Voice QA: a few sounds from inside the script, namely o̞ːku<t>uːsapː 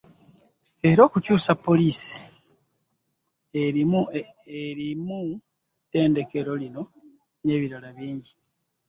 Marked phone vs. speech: incorrect: c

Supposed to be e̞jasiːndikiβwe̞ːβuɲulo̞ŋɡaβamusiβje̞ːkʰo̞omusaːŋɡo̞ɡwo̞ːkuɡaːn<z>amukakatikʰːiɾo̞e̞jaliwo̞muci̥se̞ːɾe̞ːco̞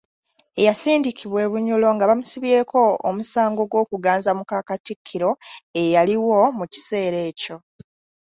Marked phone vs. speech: correct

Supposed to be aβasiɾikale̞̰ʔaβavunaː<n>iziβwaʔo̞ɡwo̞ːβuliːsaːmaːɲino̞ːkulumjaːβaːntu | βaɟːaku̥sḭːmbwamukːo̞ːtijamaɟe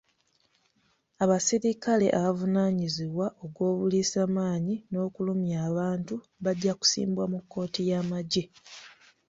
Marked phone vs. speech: incorrect: ɲ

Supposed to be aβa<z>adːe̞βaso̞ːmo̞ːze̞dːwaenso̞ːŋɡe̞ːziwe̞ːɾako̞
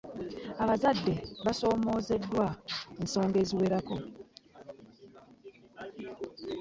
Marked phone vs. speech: correct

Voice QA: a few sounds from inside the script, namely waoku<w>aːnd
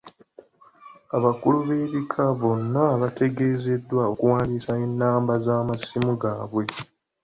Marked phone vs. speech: correct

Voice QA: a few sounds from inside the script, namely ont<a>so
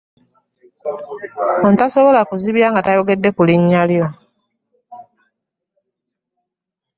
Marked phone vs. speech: correct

